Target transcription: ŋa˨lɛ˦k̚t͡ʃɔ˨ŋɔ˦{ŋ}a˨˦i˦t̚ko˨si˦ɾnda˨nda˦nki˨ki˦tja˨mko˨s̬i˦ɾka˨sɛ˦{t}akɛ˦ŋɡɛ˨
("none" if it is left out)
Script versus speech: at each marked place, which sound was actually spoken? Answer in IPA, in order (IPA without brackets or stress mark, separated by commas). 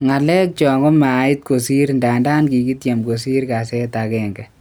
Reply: m, t